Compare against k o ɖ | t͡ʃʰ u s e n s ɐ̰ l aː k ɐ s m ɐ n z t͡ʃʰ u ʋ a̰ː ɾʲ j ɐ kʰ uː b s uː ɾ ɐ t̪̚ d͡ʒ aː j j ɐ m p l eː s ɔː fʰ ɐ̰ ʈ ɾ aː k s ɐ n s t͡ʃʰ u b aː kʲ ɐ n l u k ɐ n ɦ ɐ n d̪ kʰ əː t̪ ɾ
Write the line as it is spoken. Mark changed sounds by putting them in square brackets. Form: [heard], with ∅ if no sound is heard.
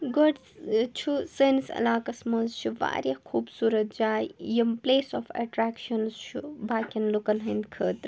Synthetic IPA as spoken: [ɡ] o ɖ | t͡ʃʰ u s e n s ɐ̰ l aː k ɐ s m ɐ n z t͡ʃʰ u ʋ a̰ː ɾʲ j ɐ kʰ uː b s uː ɾ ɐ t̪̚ d͡ʒ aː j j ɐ m p l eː s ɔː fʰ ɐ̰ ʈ ɾ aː k [ʃ] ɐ n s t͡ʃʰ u b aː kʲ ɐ n l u k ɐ n ɦ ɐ n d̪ kʰ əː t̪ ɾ